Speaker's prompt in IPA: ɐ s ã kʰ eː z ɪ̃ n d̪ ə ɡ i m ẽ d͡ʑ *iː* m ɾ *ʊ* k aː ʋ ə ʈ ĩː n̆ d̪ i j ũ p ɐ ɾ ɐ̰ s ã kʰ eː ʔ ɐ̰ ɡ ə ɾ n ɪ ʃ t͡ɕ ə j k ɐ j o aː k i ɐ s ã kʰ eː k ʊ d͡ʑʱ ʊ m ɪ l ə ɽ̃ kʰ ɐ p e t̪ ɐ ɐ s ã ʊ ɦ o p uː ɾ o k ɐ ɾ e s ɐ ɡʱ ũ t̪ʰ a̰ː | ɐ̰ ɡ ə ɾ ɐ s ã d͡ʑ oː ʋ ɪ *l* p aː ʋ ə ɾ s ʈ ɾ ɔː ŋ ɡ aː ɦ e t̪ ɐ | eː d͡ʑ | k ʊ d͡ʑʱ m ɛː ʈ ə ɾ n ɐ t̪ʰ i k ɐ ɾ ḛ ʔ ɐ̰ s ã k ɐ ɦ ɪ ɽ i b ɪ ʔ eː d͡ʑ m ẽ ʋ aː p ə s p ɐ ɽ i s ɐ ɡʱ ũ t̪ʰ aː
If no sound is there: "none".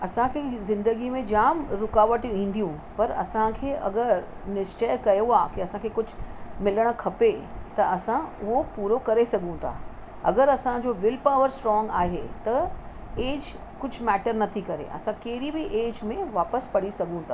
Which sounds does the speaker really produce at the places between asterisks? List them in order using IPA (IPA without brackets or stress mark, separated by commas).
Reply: aː, ʊ, l